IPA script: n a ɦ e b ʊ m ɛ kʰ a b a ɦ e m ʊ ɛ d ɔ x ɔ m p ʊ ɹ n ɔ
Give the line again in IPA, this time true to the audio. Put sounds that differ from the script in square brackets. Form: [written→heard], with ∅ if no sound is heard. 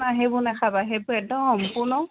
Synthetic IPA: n a ɦ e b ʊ [m→n] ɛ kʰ a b a ɦ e [m→b] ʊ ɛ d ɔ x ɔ m p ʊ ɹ n ɔ